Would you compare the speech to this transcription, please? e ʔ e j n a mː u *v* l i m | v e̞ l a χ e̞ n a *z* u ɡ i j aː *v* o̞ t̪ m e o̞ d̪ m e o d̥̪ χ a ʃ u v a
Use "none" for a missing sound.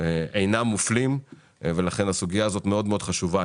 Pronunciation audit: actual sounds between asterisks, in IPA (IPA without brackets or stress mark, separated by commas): f, s, z